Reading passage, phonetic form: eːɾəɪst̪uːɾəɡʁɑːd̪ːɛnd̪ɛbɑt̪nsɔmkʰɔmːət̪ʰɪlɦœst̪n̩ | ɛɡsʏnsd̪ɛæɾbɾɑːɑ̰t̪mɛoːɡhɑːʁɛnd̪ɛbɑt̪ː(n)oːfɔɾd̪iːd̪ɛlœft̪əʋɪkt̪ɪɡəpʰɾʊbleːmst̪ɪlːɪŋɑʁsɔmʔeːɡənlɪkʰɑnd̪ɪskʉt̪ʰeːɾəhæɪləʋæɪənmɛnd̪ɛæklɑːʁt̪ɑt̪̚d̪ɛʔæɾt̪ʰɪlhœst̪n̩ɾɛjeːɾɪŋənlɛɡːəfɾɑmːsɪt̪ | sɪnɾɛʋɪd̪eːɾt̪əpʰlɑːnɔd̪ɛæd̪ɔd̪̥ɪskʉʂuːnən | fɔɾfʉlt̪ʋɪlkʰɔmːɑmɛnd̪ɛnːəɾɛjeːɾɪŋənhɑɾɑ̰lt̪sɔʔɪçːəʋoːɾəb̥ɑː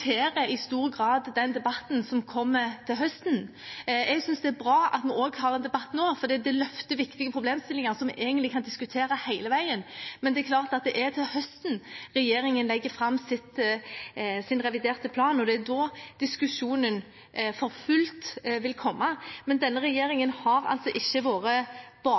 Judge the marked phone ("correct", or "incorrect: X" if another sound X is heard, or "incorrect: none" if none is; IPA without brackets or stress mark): correct